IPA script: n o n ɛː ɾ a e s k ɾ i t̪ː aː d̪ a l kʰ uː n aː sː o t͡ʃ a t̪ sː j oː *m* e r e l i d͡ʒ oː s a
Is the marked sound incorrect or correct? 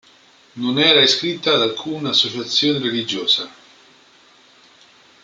incorrect: n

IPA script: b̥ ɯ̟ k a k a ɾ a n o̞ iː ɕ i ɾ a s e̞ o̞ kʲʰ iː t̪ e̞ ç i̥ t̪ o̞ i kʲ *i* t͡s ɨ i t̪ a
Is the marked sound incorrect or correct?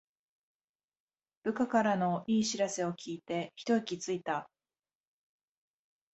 correct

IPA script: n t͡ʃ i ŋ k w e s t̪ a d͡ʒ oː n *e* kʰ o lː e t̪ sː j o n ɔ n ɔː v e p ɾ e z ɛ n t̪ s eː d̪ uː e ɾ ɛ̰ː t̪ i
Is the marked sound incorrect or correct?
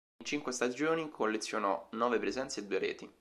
incorrect: i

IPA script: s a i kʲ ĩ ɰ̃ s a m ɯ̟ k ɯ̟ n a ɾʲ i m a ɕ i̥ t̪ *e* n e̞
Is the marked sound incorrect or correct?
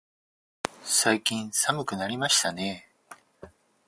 incorrect: a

